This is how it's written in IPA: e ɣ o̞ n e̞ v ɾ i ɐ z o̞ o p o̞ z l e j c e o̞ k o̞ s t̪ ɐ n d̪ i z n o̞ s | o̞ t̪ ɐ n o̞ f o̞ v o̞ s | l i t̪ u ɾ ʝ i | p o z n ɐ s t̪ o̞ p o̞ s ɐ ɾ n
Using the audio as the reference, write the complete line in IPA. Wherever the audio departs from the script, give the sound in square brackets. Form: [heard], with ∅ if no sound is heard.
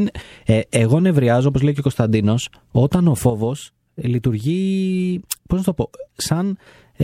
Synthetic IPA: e ɣ o̞ n e̞ v ɾ i ɐ z o̞ o p o̞ z l e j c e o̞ k o̞ s t̪ ɐ n d̪ i [∅] n o̞ s | o̞ t̪ ɐ n o̞ f o̞ v o̞ s | l i t̪ u ɾ ʝ i | p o z n ɐ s t̪ o̞ p o̞ s ɐ [∅] n